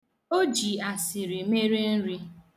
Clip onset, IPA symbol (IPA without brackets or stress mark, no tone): o